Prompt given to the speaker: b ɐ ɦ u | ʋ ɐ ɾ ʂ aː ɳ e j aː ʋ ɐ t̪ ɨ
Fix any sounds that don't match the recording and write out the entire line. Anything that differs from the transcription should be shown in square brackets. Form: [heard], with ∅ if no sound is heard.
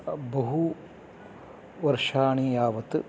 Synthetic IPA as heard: b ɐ ɦ u | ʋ ɐ ɾ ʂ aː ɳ [i] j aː ʋ ɐ t̪ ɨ